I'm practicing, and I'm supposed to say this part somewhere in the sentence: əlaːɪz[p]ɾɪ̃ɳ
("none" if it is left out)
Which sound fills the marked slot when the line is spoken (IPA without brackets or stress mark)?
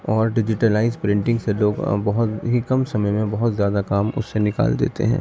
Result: p